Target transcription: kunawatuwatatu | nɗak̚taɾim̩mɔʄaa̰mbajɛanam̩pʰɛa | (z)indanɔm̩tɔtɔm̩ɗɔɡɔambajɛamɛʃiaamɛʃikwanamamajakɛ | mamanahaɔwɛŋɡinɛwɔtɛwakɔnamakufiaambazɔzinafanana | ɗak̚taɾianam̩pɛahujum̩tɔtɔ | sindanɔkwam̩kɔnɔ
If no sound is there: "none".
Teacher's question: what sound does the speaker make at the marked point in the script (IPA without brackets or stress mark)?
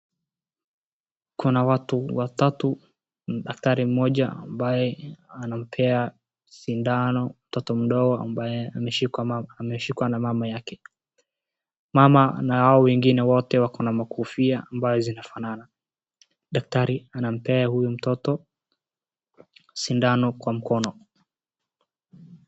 s